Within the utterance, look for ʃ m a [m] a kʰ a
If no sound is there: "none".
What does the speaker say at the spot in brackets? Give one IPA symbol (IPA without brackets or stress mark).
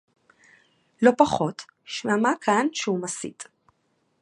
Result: m